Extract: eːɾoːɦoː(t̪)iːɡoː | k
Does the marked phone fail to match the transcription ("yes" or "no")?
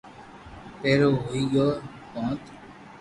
yes